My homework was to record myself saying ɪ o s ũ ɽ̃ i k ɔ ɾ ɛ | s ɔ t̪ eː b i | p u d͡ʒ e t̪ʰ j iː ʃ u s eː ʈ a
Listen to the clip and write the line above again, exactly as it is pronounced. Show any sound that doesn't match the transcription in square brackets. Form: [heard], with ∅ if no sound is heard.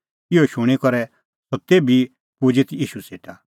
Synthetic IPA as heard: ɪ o [ʃ] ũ ɽ̃ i k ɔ ɾ ɛ | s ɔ t̪ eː b i | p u d͡ʒ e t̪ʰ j iː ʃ u s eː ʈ a